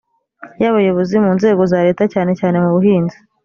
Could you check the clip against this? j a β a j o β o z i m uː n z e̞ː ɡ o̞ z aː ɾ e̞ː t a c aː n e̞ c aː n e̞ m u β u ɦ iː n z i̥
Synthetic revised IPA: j a β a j o β o z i m uː n z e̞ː ɡ o̞ z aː ɾ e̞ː t a c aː n e̞ c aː n e̞ m u β u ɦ iː n z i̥